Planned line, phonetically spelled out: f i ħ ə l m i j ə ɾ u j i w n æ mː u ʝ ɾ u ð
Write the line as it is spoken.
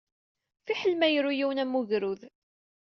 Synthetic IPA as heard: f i ħ ə l m æ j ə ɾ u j i w n æ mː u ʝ ɾ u ð